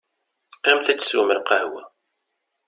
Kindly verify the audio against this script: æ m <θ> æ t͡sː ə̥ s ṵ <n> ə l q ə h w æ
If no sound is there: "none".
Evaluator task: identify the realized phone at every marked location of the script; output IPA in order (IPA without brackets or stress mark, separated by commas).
θ, m